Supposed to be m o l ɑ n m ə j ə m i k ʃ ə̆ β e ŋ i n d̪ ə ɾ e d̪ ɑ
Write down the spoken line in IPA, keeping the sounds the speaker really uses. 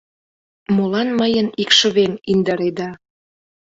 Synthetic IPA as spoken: m o l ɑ n m ə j ə n i k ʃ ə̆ β e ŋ i n d̪ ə ɾ e d̪ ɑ